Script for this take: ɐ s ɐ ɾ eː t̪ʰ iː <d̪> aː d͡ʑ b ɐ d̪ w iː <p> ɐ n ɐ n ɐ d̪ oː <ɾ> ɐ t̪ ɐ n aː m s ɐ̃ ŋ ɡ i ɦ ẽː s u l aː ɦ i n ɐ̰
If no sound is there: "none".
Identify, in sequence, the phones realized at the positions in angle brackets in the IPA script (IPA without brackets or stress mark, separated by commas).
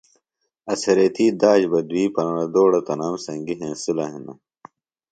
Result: d̪, p, ɽ